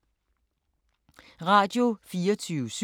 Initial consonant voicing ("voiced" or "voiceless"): voiced